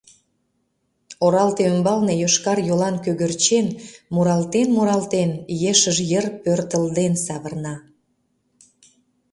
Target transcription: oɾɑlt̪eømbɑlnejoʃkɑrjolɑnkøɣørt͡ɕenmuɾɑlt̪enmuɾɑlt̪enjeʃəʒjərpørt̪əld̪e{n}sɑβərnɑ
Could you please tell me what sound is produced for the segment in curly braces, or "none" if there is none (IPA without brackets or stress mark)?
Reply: n